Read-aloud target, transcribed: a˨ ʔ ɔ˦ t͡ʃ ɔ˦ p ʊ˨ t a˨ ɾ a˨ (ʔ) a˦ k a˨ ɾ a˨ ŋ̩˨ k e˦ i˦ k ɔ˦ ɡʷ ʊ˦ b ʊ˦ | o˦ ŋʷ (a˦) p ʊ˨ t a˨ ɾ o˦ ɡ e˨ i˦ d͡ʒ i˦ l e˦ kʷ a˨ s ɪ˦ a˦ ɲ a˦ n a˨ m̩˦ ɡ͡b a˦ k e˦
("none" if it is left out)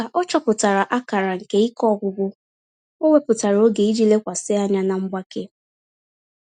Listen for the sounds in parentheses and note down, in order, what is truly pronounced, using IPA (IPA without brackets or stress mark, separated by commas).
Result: ʔ, e˦